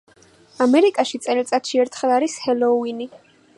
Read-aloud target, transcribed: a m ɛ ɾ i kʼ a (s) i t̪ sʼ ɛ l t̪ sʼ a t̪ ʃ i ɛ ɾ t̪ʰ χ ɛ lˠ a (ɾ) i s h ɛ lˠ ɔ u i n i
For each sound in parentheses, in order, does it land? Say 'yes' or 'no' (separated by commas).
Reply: no, yes